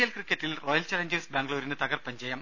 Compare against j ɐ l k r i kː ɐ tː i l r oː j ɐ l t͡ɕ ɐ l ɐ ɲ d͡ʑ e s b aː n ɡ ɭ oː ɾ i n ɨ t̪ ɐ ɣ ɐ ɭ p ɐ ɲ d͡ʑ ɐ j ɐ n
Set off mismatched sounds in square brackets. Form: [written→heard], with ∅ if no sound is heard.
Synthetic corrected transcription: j ɐ l k r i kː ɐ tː i l r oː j ɐ l t͡ɕ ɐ l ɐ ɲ d͡ʑ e s b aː [n→ŋ] ɡ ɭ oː ɾ i n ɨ t̪ ɐ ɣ ɐ [ɭ→r] p ɐ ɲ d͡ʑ ɐ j ɐ [n→m]